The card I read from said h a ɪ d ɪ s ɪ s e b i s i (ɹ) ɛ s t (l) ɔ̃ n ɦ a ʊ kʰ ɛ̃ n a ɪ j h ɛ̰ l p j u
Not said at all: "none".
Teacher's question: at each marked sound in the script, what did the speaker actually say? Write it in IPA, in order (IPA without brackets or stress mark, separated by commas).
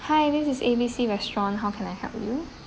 ɹ, ɹ